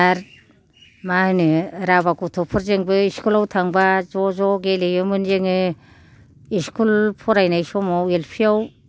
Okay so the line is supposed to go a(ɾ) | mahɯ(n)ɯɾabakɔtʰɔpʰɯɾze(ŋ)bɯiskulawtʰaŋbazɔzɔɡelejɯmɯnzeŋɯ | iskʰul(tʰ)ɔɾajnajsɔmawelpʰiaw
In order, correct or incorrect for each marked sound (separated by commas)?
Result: correct, correct, correct, incorrect